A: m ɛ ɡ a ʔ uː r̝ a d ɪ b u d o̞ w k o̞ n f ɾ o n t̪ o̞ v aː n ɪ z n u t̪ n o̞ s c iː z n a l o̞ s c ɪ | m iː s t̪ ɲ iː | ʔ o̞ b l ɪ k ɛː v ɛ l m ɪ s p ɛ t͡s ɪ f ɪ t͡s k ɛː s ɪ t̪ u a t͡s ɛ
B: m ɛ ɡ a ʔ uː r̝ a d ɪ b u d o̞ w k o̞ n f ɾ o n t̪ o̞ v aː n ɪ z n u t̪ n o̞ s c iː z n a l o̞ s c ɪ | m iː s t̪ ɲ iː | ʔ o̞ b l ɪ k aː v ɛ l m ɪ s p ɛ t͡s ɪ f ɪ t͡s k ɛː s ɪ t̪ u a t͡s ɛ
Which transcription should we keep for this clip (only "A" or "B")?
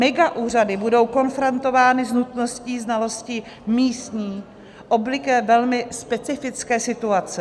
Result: A